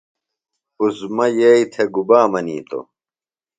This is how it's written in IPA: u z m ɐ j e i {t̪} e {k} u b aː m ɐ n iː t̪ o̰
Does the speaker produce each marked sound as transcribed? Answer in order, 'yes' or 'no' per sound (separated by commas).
no, no